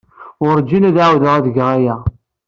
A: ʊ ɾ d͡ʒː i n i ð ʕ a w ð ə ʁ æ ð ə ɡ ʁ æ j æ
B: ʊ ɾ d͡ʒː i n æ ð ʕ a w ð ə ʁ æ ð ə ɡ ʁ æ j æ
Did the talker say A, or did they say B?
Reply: B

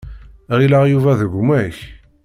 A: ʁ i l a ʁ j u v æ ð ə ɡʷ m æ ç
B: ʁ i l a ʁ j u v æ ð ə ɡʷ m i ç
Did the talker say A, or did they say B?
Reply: A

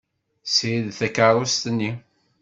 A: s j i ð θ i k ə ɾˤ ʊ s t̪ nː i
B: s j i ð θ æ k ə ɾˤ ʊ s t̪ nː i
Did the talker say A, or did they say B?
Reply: B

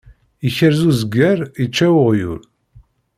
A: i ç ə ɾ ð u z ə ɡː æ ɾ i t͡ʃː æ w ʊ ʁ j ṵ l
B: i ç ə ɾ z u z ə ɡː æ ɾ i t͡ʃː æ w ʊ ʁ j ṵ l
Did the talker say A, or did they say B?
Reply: B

